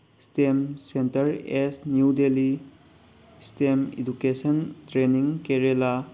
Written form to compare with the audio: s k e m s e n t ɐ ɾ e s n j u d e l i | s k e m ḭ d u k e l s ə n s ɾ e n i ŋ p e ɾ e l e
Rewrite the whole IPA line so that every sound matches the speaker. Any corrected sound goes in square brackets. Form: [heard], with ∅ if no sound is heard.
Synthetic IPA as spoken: s [t] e m s e n t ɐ ɾ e s n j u d e l i | s [t] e m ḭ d u k e [∅] s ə n [t] ɾ e n i ŋ [k] e ɾ e l [a]